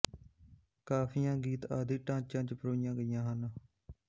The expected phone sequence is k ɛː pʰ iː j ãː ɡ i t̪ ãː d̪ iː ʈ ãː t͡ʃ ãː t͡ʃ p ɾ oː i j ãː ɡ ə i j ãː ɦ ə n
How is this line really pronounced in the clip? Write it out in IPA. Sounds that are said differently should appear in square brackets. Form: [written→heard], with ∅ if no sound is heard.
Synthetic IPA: k [ɛː→aː] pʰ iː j ãː ɡ [i→iː] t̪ [ãː→aː] d̪ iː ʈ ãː t͡ʃ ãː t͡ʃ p ɾ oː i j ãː ɡ ə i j ãː ɦ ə n